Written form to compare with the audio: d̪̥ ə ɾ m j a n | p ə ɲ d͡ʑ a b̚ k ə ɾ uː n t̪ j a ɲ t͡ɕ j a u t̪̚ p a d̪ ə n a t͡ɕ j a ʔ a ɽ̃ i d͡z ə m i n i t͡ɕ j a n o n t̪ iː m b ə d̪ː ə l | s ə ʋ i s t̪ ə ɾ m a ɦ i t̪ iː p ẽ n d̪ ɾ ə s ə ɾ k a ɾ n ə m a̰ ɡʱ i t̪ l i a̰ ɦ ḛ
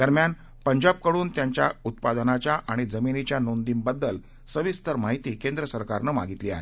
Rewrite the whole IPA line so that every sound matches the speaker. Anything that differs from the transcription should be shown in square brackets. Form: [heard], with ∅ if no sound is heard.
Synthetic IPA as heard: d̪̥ ə ɾ m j a n | p ə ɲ d͡ʑ a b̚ k ə [ɽ] uː n t̪ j a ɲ t͡ɕ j a u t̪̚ p a d̪ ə n a t͡ɕ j a ʔ a ɽ̃ i d͡z ə m i n i t͡ɕ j a n o n [d̪] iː m b ə d̪ː ə l | s ə ʋ i s t̪ ə ɾ m a ɦ i t̪ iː [k] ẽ n d̪ ɾ ə s ə ɾ k a ɾ n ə m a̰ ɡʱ i t̪ l i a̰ ɦ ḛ